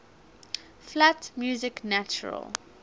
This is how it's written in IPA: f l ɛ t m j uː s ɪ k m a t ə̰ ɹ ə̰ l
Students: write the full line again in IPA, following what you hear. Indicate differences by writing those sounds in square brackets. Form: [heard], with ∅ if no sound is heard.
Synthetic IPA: f l [a] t m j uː [z] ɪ k [n] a [t͡ʃ] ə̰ ɹ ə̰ l